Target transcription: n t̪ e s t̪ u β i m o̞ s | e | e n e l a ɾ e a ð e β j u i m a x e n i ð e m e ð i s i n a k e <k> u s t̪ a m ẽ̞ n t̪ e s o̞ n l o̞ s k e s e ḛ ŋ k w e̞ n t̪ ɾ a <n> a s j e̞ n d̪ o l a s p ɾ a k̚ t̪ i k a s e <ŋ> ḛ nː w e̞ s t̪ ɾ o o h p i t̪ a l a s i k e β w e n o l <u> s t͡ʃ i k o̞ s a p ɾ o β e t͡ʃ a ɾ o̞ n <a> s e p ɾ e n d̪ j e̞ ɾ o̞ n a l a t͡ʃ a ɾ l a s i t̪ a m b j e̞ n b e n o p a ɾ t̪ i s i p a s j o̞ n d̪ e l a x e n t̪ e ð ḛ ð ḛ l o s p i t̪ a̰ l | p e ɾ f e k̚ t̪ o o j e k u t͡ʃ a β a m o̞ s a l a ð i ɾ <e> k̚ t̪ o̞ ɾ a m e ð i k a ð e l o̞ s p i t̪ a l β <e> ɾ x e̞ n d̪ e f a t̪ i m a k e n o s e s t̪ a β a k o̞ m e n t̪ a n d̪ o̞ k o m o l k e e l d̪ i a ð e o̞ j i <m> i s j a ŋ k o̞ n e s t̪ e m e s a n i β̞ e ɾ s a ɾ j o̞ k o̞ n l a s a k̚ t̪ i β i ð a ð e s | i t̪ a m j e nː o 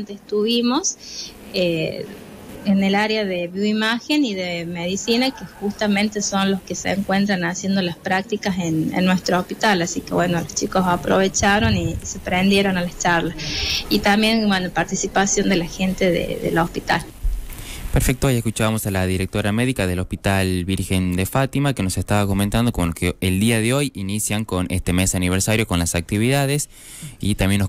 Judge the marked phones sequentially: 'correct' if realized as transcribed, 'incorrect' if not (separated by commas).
incorrect, correct, incorrect, incorrect, incorrect, correct, incorrect, incorrect